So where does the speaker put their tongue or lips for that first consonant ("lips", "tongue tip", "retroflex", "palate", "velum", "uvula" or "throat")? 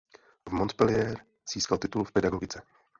lips